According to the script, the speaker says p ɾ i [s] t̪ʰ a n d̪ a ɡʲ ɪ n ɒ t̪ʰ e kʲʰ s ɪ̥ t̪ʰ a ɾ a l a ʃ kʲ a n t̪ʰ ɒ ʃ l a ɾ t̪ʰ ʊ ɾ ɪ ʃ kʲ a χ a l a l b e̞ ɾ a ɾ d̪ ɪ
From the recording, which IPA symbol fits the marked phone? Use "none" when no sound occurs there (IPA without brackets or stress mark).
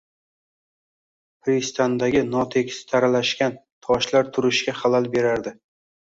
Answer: s